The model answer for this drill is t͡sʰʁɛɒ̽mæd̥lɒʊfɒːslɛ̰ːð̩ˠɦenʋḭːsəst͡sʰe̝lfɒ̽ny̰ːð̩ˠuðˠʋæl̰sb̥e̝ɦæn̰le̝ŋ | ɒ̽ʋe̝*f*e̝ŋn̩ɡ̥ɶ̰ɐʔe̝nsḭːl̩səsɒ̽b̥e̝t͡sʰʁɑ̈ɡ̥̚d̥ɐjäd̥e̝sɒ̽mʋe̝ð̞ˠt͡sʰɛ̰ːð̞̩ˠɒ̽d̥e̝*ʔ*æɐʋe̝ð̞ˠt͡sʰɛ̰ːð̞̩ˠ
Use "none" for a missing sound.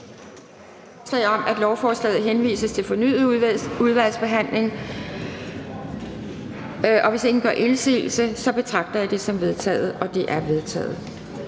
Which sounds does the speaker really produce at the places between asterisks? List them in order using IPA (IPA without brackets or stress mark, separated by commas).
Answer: s, ʔ